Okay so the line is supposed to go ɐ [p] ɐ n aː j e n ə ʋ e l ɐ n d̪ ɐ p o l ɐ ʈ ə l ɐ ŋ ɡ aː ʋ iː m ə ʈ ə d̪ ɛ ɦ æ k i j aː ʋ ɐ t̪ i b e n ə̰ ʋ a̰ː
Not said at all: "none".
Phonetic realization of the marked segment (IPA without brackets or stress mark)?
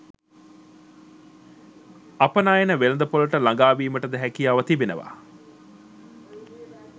p